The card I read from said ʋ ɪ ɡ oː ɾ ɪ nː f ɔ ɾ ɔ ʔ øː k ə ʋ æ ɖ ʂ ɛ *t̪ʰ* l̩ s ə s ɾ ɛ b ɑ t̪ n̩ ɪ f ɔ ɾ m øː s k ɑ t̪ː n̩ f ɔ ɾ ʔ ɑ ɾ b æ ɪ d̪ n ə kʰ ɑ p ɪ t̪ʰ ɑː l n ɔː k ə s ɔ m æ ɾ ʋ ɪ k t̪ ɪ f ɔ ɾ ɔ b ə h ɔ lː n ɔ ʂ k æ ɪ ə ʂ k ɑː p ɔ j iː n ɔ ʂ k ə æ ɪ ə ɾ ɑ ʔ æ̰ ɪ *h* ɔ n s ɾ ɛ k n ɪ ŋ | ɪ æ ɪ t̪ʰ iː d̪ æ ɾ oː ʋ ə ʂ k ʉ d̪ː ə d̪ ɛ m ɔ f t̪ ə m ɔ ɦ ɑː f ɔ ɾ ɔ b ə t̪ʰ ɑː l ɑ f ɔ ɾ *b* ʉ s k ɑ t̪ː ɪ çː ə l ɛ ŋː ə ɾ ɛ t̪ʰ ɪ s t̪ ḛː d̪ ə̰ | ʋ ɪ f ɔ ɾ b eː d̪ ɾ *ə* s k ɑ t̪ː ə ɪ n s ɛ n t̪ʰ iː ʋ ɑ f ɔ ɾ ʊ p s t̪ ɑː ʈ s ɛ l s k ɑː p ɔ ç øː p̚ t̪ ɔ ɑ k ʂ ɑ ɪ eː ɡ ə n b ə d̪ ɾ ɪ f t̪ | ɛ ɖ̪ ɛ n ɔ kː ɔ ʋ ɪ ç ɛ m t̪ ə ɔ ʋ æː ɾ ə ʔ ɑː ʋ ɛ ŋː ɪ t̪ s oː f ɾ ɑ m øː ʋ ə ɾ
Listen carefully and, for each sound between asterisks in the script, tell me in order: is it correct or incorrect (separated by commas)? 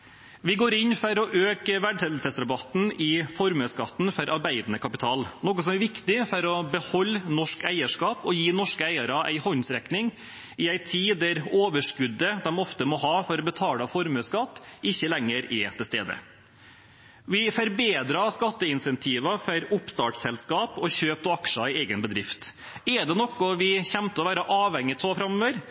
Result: incorrect, correct, incorrect, incorrect